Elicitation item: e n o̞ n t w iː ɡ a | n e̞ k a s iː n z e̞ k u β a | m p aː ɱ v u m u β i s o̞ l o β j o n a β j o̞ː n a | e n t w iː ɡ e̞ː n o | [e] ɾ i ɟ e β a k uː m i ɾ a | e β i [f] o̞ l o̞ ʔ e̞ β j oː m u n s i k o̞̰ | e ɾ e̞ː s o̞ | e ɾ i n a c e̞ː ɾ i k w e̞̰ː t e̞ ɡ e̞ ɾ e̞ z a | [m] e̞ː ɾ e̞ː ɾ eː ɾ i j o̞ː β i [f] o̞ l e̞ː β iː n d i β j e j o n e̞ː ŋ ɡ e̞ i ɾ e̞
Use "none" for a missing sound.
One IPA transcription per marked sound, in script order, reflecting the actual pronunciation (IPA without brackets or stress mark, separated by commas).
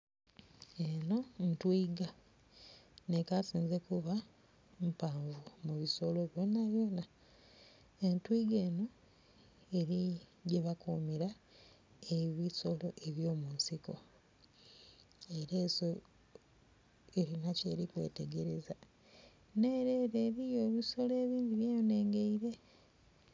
e, s, n, s